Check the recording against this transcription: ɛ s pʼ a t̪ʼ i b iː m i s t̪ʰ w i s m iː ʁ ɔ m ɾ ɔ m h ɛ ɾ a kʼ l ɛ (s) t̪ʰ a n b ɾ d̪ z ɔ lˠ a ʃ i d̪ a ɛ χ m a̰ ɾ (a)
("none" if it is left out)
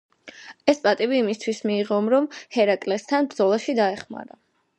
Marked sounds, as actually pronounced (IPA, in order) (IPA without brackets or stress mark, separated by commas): s, a